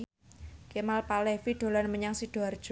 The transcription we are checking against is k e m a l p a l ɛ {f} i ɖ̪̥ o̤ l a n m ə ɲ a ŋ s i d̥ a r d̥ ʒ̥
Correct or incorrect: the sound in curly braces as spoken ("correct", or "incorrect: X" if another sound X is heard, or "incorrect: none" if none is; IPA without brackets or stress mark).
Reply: correct